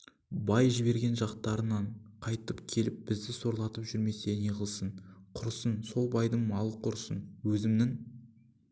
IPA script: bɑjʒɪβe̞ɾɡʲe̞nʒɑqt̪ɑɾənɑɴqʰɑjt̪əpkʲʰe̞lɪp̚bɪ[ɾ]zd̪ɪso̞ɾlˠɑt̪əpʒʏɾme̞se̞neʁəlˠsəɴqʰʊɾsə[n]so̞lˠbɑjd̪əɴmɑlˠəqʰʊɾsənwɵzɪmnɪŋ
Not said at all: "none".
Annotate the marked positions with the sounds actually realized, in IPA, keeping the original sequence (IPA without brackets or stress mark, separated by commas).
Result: none, n